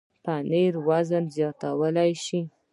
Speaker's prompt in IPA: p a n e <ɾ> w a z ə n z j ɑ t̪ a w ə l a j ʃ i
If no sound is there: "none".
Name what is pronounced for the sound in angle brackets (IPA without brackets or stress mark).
ɾ